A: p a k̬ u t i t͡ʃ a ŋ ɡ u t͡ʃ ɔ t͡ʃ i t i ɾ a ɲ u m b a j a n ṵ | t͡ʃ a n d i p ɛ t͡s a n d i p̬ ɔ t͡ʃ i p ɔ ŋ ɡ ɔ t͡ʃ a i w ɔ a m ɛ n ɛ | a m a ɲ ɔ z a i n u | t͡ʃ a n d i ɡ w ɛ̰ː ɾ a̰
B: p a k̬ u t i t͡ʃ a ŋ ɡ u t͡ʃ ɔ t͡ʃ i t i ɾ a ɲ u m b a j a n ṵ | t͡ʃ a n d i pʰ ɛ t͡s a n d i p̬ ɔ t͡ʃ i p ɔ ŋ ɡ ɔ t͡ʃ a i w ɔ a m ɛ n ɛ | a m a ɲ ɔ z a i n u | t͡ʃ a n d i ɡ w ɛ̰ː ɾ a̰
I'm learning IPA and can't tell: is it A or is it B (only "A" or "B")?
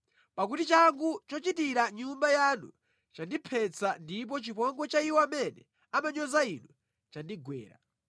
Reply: B